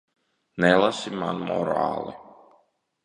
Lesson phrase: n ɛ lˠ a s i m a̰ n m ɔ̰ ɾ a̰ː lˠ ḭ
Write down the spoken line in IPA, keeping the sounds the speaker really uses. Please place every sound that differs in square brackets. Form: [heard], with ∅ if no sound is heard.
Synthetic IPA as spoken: n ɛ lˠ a s i m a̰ n m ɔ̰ ɾ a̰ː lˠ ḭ